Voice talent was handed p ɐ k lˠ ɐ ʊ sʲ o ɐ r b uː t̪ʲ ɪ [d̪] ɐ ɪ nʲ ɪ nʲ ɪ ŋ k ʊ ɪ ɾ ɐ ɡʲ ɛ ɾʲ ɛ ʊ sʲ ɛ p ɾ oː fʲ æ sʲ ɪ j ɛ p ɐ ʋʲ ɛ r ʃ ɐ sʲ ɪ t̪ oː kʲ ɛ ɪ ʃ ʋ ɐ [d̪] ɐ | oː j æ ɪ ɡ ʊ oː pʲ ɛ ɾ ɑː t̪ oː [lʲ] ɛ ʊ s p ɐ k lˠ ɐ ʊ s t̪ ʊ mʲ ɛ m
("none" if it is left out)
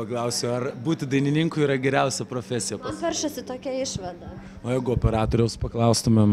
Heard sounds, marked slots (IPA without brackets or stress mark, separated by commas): d̪, d̪, ɾʲ